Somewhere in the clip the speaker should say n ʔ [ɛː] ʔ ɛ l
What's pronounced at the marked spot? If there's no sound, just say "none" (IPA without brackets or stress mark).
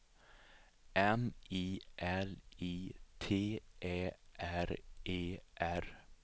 iː